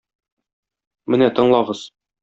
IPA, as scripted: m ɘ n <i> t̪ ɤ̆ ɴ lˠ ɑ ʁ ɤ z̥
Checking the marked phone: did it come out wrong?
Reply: yes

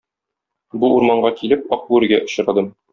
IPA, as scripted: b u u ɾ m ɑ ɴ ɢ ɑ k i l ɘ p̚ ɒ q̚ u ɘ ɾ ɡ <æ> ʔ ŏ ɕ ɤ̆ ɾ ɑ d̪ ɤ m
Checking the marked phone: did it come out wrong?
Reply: no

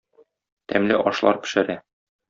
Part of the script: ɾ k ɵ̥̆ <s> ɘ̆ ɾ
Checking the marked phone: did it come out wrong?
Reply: yes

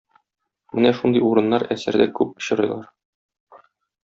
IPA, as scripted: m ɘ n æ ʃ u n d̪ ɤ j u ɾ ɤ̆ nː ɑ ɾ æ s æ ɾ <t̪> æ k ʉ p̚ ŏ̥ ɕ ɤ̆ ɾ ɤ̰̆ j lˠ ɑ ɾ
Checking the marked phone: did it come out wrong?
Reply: yes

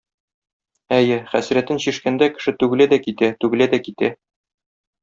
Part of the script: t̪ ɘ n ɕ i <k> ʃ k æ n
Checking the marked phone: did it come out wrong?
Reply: yes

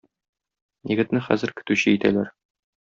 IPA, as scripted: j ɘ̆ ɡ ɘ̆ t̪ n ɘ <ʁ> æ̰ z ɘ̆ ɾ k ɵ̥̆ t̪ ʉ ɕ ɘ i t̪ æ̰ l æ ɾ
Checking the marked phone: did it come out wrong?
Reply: yes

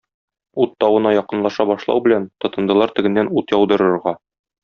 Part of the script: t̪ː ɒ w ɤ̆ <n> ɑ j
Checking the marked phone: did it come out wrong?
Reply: no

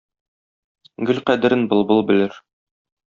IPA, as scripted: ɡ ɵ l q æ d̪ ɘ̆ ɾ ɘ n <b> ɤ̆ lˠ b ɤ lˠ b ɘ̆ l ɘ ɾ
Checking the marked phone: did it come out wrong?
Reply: no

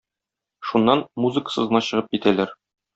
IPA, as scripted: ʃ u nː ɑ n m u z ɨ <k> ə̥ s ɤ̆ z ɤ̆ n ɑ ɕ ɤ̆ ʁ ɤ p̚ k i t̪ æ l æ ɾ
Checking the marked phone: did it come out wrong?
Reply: no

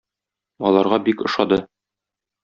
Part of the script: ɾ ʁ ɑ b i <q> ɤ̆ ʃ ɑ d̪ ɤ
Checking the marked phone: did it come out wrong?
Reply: yes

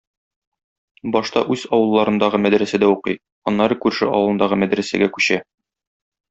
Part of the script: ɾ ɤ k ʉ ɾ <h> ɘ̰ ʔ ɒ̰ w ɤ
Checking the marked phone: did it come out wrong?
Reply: yes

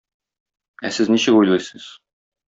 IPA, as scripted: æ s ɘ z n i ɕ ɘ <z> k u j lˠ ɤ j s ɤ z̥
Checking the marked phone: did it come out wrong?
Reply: yes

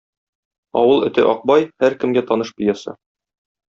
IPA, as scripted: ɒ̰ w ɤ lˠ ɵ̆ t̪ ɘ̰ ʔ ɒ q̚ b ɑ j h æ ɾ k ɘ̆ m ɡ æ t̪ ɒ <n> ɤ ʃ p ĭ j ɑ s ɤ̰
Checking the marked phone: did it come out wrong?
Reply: no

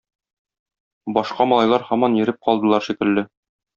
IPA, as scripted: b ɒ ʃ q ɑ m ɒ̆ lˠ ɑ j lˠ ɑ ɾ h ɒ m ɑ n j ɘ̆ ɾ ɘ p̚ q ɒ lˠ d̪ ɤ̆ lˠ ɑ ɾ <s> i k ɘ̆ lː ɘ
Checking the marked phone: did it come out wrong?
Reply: yes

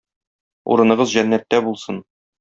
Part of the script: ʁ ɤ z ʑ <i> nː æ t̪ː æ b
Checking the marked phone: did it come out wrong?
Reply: yes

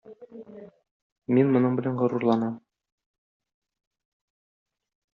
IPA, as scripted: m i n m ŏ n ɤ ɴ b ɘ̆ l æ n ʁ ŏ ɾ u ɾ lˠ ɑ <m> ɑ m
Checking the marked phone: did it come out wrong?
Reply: yes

